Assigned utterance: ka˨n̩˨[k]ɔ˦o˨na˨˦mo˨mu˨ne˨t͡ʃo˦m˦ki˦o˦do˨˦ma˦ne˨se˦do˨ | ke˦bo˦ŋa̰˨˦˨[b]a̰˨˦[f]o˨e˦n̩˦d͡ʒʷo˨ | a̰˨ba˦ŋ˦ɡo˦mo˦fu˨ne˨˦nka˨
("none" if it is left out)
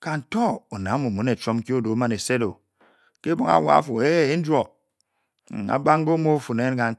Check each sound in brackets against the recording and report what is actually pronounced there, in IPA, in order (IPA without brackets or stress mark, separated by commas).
t, w, f